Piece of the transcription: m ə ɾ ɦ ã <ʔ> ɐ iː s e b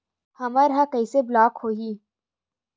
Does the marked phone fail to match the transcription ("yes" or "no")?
yes